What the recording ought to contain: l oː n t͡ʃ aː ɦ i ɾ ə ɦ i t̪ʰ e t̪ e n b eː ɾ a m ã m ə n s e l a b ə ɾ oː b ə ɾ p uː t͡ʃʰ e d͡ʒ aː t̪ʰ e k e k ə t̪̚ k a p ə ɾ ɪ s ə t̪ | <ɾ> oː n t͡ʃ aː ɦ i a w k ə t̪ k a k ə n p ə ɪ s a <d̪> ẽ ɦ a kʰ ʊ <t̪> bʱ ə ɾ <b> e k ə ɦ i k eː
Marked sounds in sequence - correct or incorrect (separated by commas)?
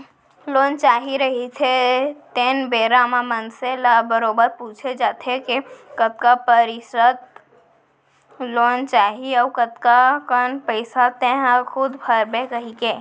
incorrect, incorrect, incorrect, correct